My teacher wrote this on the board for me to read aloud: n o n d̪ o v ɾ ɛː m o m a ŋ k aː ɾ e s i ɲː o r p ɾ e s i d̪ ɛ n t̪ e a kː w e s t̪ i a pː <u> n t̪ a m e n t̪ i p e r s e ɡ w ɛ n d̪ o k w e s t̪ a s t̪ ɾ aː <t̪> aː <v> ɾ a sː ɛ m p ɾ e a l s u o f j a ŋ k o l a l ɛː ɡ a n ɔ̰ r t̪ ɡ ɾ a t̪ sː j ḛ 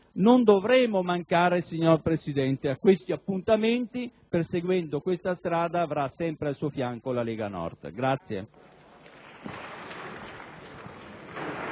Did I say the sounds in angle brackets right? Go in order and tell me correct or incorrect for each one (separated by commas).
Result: correct, incorrect, correct